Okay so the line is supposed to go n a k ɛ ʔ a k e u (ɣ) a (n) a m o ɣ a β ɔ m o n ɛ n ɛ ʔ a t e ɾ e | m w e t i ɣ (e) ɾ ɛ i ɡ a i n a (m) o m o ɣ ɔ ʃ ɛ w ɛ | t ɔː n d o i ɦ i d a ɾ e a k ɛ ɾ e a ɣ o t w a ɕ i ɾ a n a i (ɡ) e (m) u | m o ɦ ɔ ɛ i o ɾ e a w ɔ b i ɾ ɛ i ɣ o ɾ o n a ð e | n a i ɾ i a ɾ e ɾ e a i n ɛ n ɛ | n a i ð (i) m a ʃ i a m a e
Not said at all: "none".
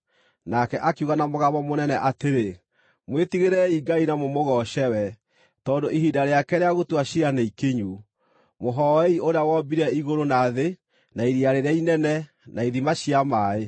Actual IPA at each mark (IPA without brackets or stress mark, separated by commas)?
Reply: ɣ, n, e, m, k, ɲ, i